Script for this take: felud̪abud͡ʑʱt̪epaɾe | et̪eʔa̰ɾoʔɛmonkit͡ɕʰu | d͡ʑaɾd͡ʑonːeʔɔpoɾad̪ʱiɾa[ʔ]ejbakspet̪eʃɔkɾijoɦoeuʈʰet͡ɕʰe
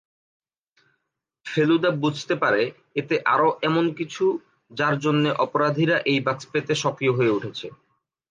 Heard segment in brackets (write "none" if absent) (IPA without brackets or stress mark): ʔ